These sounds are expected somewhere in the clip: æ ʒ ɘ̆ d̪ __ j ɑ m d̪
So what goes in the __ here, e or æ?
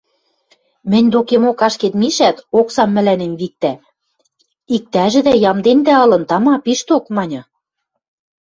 æ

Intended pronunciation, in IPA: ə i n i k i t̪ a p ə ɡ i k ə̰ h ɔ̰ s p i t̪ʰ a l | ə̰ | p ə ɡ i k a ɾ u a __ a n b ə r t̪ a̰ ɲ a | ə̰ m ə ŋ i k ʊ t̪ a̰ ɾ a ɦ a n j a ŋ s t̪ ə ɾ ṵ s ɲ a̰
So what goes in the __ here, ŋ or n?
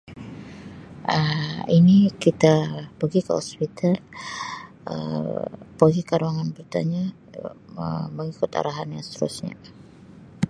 ŋ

